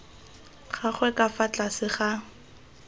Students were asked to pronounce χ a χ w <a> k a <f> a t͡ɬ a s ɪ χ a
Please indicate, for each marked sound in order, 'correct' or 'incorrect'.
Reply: incorrect, correct

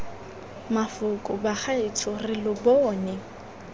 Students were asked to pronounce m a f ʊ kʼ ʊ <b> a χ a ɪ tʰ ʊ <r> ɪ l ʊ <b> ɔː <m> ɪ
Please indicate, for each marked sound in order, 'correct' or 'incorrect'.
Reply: correct, correct, correct, incorrect

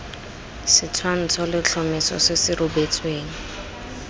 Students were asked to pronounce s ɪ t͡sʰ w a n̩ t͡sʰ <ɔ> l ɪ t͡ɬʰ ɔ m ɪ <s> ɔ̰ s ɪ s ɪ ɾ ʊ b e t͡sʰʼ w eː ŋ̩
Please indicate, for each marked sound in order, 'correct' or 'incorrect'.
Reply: correct, correct

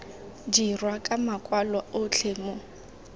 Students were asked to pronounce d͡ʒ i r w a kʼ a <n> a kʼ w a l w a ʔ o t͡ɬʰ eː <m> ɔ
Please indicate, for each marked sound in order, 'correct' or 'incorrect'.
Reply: incorrect, correct

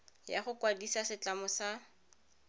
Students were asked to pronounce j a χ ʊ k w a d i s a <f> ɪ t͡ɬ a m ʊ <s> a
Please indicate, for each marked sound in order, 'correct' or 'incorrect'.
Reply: incorrect, correct

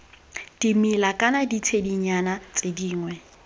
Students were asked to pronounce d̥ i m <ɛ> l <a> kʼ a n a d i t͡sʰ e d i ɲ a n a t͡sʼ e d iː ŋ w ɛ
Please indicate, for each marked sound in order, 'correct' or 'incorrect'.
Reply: incorrect, correct

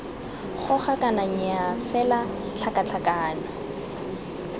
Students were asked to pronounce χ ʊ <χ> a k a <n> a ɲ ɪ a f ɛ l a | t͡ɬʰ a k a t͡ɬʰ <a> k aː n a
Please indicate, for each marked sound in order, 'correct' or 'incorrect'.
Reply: correct, correct, correct

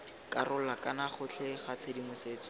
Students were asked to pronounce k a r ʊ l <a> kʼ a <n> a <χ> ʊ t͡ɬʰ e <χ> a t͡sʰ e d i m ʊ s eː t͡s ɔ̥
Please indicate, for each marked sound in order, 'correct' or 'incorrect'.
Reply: correct, correct, correct, correct

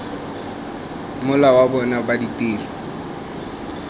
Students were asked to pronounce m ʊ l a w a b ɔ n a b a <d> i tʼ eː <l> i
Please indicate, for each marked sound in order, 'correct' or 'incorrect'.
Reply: correct, correct

